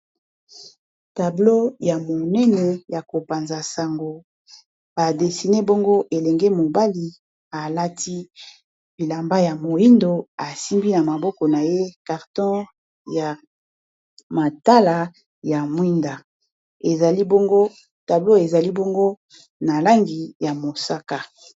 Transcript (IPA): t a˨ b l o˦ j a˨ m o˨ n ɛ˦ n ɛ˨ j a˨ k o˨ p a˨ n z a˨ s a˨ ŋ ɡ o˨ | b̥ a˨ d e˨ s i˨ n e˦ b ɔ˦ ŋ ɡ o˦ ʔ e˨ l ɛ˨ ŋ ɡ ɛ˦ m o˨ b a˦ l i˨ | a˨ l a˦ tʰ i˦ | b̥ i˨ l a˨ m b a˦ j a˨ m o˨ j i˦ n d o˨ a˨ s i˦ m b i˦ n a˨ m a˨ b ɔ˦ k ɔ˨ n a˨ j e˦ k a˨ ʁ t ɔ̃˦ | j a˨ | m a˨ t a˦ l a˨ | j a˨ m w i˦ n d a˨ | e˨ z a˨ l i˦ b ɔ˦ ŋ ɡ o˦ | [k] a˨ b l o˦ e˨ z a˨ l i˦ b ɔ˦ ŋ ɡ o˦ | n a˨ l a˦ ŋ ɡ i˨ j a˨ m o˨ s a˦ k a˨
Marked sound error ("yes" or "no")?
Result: yes